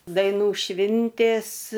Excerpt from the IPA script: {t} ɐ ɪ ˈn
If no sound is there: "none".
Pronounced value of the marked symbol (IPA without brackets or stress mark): d